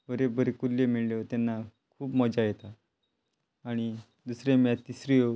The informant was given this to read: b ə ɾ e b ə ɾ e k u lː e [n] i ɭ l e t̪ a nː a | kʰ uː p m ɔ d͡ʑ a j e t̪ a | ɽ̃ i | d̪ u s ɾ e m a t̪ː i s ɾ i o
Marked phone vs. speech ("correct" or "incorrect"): incorrect